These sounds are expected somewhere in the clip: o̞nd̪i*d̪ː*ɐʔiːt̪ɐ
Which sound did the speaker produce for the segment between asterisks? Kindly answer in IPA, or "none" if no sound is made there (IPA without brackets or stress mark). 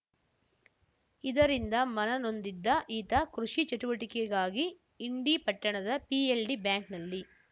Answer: d̪ː